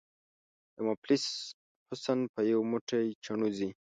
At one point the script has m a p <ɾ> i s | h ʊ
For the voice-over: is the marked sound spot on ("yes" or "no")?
no